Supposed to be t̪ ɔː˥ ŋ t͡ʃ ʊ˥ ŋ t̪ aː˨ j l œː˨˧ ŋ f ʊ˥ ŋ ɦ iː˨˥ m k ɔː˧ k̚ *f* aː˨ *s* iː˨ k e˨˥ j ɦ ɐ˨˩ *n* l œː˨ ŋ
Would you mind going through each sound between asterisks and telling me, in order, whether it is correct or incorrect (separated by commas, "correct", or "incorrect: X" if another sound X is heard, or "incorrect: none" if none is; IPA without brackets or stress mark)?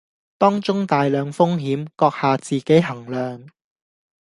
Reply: incorrect: h, incorrect: t͡s, incorrect: ŋ